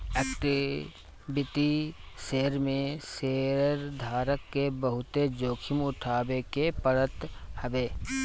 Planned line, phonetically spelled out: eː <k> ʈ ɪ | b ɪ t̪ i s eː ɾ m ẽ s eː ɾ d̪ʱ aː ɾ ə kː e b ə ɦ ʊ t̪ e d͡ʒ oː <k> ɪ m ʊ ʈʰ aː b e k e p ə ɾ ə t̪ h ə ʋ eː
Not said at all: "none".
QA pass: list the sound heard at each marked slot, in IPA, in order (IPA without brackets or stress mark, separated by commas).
k, kʰ